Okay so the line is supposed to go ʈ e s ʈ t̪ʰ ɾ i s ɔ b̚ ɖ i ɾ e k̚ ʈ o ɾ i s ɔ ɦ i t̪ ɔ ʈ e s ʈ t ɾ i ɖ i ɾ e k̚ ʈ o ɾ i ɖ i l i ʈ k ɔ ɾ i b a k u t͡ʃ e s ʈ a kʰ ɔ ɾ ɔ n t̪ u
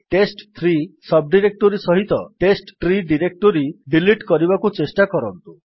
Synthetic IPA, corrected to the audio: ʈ e s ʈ t̪ʰ ɾ i s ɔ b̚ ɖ i ɾ e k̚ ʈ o ɾ i s ɔ ɦ i t̪ ɔ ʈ e s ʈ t ɾ i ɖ i ɾ e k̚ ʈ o ɾ i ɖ i l i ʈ k ɔ ɾ i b a k u t͡ʃ e s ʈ a k ɔ ɾ ɔ n t̪ u